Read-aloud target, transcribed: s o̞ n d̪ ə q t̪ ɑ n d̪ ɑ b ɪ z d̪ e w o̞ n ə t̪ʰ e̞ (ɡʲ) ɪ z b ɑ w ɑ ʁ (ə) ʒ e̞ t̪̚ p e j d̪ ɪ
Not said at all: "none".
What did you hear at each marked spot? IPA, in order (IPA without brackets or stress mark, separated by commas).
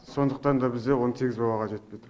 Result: ɡʲ, ɑ